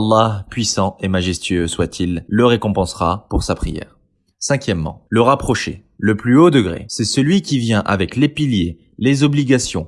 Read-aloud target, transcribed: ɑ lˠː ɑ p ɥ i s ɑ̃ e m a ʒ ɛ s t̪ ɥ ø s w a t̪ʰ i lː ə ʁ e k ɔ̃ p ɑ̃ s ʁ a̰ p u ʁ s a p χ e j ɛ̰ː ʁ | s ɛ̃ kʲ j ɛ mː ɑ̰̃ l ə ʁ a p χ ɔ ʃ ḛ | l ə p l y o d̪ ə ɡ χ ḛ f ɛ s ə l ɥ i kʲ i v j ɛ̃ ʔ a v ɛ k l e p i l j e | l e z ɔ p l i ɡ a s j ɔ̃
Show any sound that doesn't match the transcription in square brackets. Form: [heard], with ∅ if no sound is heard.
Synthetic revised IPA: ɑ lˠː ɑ p ɥ i s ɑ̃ e m a ʒ ɛ s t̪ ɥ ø s w a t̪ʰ i lː ə ʁ e k ɔ̃ p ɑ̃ s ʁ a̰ p u ʁ s a p χ [i] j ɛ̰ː ʁ | s ɛ̃ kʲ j ɛ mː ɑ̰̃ l ə ʁ a p χ ɔ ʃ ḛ | l ə p l y o d̪ ə ɡ [ʁ] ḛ [s] ɛ s ə l ɥ i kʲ i v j ɛ̃ ʔ a v ɛ k l e p i l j e | l e z ɔ [b] l i ɡ a s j ɔ̃